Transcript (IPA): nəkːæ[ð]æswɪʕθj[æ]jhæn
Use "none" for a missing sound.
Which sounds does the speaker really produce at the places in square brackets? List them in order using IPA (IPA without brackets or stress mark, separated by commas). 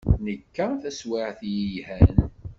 θ, i